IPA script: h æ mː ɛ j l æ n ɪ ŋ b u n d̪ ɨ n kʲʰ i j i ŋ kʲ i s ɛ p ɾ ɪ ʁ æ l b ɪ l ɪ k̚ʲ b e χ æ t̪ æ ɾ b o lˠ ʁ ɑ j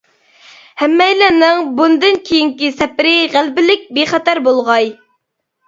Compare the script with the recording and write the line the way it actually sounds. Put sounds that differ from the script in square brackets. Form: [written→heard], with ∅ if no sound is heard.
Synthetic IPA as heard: h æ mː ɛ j l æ n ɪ ŋ b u n d̪ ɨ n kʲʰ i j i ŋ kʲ i s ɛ p ɾ ɪ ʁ æ l b ɪ l ɪ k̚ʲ b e χ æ t̪ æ ɾ b o lˠ ʁ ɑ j